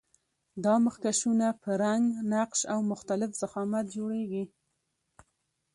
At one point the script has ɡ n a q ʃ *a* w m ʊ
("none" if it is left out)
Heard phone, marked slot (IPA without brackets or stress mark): a